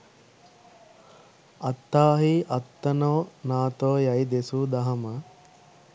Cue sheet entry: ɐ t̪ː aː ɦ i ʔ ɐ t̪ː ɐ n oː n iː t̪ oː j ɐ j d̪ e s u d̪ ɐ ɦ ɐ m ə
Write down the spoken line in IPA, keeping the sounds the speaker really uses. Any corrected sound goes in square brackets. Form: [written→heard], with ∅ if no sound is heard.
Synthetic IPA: ɐ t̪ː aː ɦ i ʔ ɐ t̪ː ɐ n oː n [iː→aː] t̪ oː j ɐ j d̪ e s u d̪ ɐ ɦ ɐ m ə